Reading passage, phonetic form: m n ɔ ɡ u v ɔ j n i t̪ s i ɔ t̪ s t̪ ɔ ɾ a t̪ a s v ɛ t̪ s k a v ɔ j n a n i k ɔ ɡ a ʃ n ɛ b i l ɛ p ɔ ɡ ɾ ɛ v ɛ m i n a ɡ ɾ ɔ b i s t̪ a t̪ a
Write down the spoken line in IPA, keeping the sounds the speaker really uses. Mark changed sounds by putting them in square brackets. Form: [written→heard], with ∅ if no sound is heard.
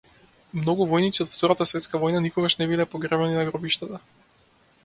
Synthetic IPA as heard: m n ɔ ɡ u v ɔ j n i t̪ s i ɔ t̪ [s→f] t̪ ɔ ɾ a t̪ a s v ɛ t̪ s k a v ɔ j n a n i k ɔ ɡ a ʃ n ɛ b i l ɛ p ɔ ɡ ɾ ɛ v ɛ [m→n] i n a ɡ ɾ ɔ b i [s→ʃ] t̪ a t̪ a